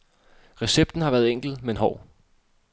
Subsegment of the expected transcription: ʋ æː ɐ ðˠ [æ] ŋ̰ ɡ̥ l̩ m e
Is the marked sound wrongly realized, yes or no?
yes